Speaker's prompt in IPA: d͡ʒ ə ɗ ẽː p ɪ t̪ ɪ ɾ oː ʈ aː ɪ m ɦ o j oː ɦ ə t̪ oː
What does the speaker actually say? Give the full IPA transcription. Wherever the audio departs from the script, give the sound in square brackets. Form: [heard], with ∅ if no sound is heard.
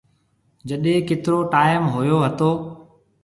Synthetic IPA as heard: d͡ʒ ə ɗ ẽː [k] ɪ t̪ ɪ ɾ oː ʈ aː ɪ m ɦ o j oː ɦ ə t̪ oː